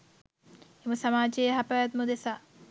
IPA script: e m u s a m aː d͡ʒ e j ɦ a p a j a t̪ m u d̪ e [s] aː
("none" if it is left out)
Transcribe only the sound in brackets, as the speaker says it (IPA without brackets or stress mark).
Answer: s